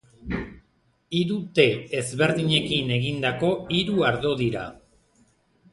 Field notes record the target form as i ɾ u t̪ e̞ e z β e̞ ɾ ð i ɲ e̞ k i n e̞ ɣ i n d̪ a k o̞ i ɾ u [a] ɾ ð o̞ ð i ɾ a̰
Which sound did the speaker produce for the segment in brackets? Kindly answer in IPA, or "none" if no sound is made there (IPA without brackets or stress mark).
a